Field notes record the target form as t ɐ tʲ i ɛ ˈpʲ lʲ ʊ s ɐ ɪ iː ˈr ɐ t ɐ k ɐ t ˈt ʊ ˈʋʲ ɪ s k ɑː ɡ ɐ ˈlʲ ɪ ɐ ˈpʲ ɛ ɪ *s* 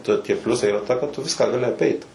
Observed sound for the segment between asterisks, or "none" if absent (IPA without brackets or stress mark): t